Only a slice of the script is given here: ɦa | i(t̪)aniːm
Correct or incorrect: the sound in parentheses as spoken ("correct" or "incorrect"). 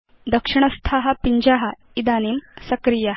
incorrect